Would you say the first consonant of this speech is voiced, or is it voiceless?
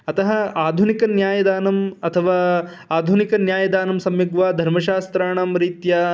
voiceless